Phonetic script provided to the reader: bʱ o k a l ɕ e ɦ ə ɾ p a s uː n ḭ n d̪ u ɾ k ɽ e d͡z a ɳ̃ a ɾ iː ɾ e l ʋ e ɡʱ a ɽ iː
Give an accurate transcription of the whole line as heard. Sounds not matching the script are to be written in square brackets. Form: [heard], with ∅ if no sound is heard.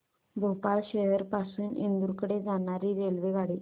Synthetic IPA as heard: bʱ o [p] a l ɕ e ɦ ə ɾ p a s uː n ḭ n d̪ u ɾ k ɽ e d͡z a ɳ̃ a ɾ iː ɾ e l ʋ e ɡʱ a ɽ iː